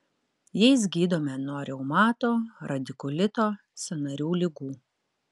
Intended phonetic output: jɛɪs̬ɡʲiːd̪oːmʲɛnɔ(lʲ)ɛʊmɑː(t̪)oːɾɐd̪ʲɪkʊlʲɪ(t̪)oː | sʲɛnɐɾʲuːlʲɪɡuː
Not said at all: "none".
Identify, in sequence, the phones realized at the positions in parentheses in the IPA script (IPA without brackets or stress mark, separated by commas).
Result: ɾʲ, t̪, t̪